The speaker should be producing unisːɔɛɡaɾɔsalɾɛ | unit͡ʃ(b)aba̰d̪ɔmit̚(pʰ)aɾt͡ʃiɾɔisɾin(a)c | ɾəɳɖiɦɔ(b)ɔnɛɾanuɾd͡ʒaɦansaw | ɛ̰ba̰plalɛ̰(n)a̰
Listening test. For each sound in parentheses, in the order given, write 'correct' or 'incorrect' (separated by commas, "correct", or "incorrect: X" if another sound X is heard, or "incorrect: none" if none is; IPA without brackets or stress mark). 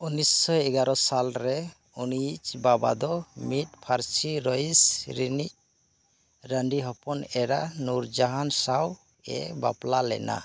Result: correct, correct, incorrect: i, incorrect: p, correct